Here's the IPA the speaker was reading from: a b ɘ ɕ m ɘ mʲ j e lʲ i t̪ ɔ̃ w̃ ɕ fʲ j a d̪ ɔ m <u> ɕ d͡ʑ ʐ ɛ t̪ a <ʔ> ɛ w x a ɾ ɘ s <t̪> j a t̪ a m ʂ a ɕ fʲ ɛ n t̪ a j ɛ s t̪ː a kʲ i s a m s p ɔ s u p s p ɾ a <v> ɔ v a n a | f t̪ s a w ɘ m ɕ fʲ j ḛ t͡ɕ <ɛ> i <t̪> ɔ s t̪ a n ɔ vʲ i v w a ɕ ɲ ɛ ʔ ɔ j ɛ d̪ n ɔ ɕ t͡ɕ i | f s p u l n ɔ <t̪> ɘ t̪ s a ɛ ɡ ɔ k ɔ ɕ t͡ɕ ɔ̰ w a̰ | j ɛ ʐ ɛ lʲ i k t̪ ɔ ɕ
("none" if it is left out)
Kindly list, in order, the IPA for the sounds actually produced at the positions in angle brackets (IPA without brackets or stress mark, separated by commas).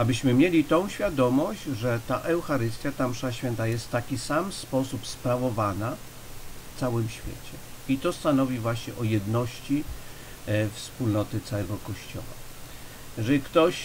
ɔ, ʔ, t̪, v, ɛ, t̪, t̪